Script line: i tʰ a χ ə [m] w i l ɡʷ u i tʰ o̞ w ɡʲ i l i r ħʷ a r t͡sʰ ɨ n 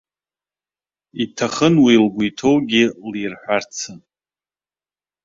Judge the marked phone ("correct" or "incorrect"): incorrect